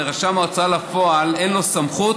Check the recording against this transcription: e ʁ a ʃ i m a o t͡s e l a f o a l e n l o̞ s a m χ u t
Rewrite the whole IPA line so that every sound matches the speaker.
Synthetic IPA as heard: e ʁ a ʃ a m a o t͡s a l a f o a l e n l o̞ s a m χ u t